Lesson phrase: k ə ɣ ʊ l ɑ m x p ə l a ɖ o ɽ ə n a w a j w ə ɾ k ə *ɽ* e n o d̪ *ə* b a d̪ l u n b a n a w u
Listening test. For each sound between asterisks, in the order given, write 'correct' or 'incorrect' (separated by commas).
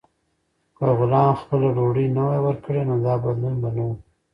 correct, incorrect